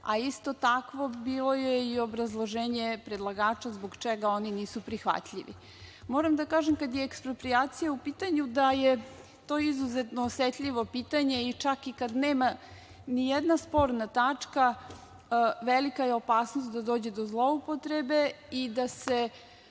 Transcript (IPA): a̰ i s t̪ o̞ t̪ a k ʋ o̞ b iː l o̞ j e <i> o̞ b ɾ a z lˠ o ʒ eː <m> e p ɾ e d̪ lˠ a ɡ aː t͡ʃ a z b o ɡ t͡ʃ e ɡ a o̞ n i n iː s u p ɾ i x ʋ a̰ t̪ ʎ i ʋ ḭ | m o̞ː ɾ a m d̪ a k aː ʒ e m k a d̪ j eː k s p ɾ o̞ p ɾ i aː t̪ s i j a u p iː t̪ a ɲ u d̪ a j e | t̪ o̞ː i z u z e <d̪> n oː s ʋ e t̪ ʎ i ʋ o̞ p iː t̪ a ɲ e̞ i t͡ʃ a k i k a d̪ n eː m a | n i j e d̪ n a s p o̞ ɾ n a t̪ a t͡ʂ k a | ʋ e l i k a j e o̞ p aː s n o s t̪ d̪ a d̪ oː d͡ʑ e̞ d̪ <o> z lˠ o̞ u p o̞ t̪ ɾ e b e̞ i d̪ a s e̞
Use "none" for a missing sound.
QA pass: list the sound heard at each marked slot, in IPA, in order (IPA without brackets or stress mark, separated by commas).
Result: i, ɲ, t̪, o